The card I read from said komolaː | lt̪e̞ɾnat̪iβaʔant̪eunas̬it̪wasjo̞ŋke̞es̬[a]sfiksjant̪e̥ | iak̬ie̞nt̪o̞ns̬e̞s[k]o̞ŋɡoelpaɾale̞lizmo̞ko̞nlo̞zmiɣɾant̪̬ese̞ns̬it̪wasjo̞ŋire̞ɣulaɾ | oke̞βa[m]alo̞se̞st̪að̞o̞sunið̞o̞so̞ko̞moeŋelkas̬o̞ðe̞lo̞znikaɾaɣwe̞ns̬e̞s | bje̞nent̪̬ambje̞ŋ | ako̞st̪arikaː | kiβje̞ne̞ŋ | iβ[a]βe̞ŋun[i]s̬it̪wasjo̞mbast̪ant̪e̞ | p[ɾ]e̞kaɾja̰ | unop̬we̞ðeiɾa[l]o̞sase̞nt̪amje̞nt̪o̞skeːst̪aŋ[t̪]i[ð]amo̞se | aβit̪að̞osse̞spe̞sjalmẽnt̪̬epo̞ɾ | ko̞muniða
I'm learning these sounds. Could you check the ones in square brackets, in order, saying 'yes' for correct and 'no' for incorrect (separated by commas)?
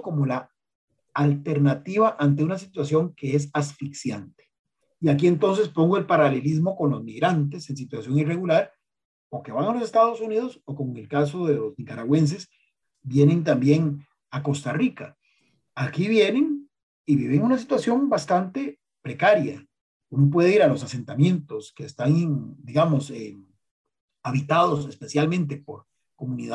yes, no, no, no, no, yes, yes, no, no